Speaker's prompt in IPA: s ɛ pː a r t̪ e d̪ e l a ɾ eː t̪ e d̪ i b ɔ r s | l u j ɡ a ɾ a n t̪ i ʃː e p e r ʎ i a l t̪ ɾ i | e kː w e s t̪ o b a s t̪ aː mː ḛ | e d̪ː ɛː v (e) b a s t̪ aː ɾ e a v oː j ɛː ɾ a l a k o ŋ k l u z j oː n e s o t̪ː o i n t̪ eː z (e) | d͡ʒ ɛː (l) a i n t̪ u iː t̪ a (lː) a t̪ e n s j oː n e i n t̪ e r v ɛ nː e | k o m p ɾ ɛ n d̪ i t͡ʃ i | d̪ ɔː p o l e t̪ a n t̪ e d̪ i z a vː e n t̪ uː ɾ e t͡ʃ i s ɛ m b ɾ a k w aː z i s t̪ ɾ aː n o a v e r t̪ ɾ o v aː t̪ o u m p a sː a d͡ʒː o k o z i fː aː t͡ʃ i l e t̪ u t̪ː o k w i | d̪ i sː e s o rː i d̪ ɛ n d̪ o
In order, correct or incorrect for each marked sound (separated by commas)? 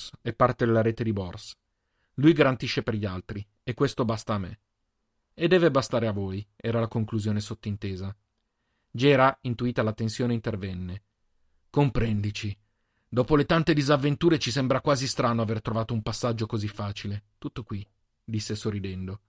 correct, incorrect, incorrect, incorrect